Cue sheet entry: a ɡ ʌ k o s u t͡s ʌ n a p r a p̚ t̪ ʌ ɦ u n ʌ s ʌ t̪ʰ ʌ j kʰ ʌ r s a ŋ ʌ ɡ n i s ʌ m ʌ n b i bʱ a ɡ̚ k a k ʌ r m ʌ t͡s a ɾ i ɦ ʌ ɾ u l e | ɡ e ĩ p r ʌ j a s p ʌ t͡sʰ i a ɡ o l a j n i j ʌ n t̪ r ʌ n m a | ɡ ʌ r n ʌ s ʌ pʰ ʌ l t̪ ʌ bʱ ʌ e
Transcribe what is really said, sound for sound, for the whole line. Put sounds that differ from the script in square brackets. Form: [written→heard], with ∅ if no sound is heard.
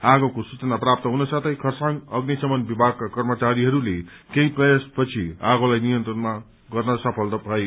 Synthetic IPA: a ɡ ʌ k o s u t͡s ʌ n a p r a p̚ t̪ ʌ ɦ u n ʌ s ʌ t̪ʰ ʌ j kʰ ʌ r s a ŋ ʌ ɡ n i s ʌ m ʌ n b i bʱ a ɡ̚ k a k ʌ r m ʌ t͡s a ɾ i ɦ ʌ ɾ u l e | [ɡ→k] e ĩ p r ʌ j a s p ʌ t͡sʰ i a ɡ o l a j n i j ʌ n t̪ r ʌ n m a | ɡ ʌ r n ʌ s ʌ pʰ ʌ l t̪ ʌ bʱ ʌ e